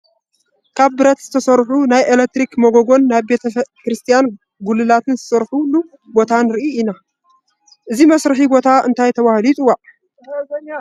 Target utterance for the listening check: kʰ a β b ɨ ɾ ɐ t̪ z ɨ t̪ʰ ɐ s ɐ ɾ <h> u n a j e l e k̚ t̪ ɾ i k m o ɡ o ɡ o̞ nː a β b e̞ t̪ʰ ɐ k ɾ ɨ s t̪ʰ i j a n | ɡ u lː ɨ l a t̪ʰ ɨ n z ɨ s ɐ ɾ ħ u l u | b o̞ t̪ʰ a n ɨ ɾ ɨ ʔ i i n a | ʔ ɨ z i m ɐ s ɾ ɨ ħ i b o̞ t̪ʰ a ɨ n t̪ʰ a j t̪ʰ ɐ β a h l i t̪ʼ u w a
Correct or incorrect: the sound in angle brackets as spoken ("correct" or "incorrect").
incorrect